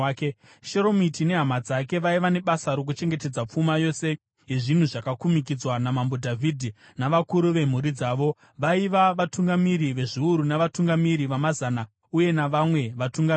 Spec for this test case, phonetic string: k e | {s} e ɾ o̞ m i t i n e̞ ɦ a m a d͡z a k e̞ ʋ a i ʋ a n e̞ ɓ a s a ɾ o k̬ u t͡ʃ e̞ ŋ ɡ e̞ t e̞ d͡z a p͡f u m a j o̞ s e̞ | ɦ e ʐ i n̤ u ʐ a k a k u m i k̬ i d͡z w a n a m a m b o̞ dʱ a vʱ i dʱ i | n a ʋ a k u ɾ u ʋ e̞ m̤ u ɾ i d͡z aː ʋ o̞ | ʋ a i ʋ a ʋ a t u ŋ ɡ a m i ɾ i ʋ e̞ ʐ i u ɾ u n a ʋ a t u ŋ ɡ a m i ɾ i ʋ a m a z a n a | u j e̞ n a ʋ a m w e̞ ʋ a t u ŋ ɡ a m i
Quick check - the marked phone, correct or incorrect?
incorrect